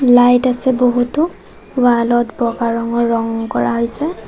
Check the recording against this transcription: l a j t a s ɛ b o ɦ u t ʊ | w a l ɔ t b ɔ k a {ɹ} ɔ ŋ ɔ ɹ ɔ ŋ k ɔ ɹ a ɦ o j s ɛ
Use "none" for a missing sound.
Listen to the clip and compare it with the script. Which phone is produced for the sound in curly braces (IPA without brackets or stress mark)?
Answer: ɹ